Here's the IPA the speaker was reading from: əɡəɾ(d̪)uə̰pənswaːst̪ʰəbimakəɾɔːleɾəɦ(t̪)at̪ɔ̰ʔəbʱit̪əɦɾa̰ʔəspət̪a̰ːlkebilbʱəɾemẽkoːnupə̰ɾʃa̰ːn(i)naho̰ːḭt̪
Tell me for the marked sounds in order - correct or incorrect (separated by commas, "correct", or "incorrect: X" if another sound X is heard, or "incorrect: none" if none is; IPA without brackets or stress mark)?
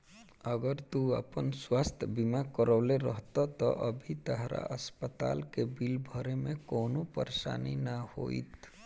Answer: incorrect: t̪, correct, correct